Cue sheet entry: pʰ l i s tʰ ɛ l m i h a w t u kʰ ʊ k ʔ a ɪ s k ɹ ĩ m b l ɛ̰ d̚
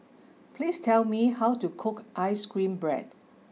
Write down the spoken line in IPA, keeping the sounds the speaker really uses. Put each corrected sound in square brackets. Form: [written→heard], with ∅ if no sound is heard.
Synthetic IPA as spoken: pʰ l i s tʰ ɛ l m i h a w t u kʰ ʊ k ʔ a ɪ s k ɹ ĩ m b [l→ɹ] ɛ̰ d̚